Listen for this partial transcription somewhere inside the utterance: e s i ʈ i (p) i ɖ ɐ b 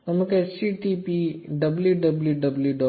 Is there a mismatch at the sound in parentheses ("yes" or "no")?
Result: no